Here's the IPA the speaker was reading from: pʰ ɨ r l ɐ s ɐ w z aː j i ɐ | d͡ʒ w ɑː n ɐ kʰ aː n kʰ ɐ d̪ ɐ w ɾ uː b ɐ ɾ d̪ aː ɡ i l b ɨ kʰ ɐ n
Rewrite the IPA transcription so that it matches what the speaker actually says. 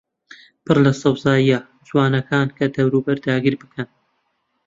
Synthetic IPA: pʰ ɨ r l ɐ s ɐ w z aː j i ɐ | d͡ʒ w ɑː n ɐ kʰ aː n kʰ ɐ d̪ ɐ w ɾ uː b ɐ ɾ d̪ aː ɡ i ɾ b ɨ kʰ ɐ n